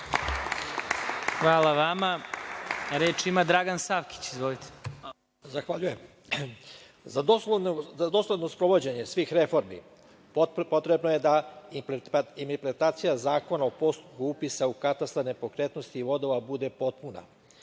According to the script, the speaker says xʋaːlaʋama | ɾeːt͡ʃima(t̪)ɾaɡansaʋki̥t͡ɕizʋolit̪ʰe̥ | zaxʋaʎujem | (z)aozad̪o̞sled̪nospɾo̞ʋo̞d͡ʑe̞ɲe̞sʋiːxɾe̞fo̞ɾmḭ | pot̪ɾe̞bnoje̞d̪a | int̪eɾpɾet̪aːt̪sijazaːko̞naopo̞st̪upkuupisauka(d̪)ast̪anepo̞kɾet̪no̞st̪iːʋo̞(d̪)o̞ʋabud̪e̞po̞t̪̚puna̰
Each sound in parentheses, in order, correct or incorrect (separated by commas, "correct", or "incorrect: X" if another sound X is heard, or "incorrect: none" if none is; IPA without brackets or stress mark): incorrect: d̪, correct, incorrect: t̪, correct